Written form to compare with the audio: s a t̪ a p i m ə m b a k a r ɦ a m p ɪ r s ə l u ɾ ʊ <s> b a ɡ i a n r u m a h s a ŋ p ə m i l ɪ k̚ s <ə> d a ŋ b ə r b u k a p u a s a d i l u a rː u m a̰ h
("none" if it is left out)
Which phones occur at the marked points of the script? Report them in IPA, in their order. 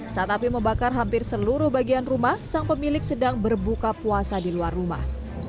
h, ə

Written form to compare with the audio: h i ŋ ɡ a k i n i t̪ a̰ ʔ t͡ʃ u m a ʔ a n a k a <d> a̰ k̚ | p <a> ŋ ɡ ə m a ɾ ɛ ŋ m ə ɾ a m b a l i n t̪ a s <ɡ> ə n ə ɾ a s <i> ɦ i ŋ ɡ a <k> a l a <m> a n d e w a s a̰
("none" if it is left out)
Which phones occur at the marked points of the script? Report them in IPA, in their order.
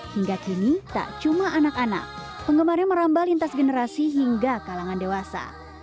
n, ə, ɡ, i, k, ŋ

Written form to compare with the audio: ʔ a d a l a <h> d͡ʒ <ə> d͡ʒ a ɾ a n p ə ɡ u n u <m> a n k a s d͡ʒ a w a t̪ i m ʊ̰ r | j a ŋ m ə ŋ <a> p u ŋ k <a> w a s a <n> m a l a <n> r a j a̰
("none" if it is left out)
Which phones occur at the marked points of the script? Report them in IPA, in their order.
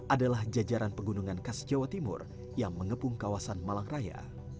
h, a, ŋ, ə, a, n, ŋ

